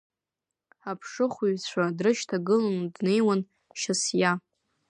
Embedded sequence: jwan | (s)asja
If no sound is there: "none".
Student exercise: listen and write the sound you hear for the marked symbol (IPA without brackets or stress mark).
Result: ʃ